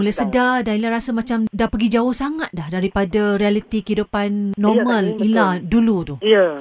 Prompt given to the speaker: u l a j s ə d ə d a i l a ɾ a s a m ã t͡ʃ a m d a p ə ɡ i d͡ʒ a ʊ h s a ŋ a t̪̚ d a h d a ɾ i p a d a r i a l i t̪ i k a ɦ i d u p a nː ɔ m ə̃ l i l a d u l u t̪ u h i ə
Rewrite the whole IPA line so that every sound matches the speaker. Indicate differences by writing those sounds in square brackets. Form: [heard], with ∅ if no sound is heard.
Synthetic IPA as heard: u l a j s ə d [a] d a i l a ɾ a s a m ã t͡ʃ a m d a p ə ɡ i d͡ʒ a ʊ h s a ŋ a t̪̚ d a h d a ɾ i p a d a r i a l i t̪ i k [ə] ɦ i d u p a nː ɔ m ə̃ l i l a d u l u t̪ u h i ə